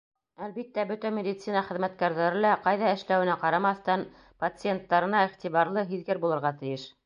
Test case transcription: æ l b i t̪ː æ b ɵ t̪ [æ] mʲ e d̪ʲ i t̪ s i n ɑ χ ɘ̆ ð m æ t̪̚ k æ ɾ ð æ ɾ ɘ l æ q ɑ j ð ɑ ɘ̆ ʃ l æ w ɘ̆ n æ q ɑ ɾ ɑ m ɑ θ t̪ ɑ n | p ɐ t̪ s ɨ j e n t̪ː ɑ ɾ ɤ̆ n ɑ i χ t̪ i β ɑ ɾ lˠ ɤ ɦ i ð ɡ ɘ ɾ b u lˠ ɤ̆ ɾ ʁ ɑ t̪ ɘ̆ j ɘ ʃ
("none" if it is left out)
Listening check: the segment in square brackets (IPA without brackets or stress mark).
æ